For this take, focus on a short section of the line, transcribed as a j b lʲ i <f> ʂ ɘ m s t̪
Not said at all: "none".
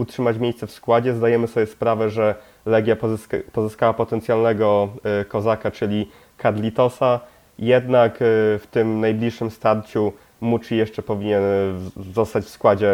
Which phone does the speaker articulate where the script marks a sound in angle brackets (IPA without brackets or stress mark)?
ʂ